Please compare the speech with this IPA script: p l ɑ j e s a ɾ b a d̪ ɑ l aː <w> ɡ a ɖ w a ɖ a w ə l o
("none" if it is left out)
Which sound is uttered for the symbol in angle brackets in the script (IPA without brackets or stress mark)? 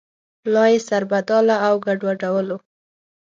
w